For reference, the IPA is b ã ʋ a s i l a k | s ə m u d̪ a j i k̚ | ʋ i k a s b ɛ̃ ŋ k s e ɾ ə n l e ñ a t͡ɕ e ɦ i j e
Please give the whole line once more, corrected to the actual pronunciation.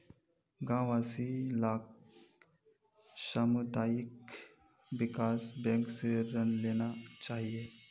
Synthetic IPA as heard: ɡ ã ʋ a s i l a k | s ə m u d̪ a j i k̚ | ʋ i k a s b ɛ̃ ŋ k s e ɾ ə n l e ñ a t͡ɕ a ɦ i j e